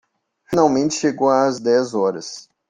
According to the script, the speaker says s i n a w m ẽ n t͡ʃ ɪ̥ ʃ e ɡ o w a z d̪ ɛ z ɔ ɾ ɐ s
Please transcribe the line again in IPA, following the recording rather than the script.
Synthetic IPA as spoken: f i n a w m ẽ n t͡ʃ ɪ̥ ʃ e ɡ o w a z d̪ ɛ z ɔ ɾ ɐ s